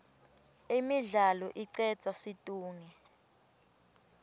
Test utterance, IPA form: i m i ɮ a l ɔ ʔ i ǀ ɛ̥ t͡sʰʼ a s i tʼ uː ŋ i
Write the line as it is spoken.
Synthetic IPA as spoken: i m i ɮ a l ɔ ʔ i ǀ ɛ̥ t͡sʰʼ a s i tʼ uː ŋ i